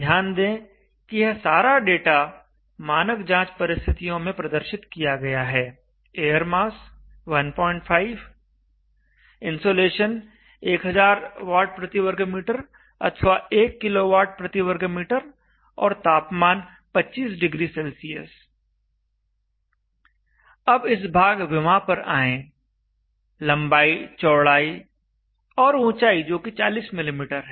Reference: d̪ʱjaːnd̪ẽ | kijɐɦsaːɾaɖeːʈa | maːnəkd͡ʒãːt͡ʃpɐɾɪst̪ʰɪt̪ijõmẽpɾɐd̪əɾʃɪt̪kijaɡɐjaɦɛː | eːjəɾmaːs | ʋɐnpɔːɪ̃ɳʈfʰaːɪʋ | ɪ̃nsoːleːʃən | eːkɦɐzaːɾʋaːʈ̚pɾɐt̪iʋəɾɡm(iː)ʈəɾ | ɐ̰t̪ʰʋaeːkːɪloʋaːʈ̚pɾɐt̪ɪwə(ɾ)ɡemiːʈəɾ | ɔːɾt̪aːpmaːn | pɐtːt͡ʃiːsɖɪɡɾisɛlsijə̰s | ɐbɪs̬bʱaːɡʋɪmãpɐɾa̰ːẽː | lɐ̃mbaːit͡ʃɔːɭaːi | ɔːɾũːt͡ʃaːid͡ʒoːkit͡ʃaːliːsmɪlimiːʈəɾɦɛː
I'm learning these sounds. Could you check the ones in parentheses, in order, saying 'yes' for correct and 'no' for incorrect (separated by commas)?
yes, yes